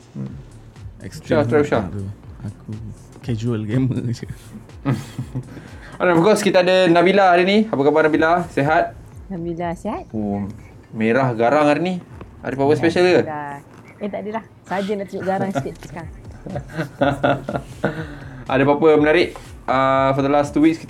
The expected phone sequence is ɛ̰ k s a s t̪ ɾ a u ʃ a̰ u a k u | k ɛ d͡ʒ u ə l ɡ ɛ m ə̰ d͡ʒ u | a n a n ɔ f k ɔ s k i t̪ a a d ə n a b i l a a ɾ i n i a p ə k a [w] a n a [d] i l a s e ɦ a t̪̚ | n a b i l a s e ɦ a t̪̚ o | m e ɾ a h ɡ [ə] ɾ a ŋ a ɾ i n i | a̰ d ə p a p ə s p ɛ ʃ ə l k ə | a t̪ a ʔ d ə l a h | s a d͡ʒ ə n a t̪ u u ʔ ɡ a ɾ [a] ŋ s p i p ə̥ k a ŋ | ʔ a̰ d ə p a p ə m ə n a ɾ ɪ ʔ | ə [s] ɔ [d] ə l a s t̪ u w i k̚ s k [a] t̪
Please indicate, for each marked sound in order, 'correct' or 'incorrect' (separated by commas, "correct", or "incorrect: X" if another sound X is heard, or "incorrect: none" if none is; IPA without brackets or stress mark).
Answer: incorrect: b, incorrect: b, incorrect: a, correct, incorrect: f, correct, incorrect: i